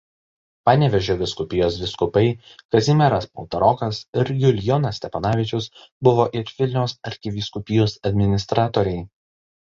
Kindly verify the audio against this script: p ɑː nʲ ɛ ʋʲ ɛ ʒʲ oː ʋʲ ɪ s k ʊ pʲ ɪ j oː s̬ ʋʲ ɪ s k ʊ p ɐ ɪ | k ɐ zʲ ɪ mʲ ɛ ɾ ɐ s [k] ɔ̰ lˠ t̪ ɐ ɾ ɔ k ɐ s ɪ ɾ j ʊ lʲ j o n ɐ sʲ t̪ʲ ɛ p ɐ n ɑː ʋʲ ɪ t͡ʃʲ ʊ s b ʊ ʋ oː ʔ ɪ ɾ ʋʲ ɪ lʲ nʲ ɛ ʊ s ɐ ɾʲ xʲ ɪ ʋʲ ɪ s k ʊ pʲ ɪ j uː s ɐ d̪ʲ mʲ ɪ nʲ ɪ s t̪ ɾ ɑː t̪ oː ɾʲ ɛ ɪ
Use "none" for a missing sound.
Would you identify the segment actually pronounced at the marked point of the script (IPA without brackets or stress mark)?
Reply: p